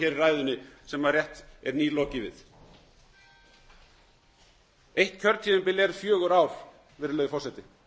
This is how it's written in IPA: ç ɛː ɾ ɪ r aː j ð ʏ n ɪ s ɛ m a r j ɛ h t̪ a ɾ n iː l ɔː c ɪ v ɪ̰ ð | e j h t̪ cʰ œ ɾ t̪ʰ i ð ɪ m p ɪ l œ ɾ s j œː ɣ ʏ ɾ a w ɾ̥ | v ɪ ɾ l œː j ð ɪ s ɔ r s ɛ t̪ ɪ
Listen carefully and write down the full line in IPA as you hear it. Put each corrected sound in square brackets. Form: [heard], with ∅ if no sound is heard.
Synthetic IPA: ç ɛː ɾ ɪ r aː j ð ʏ n ɪ s ɛ m a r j ɛ h t̪ [ɛ] ɾ n iː l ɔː c ɪ v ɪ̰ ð | e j h t̪ cʰ œ ɾ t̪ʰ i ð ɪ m p ɪ l [ɛ] ɾ [f] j œː ɣ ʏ ɾ a w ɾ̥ | v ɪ ɾ l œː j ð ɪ [f] ɔ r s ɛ t̪ ɪ